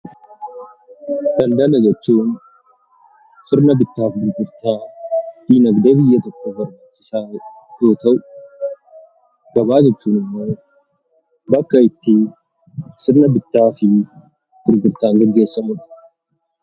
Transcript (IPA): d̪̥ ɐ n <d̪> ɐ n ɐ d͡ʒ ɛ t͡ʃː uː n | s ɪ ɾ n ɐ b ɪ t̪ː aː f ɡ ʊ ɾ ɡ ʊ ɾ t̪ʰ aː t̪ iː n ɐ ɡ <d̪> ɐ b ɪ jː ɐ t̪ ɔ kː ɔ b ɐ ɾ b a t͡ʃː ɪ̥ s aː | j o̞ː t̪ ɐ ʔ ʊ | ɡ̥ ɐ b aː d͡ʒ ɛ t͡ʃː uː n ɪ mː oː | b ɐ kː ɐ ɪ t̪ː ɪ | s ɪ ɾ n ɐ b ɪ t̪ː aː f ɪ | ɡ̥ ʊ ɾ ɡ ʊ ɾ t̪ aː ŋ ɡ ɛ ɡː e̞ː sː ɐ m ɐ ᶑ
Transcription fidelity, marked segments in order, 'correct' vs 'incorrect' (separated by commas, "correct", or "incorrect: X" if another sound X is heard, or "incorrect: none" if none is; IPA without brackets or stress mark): correct, correct